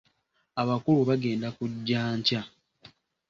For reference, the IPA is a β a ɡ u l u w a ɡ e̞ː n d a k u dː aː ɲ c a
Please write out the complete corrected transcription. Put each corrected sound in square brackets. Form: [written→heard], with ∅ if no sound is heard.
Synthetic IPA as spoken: a β a [ɡ→k] u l u [w→β] a ɡ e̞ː n d a k u [dː→ɟː] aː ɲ c a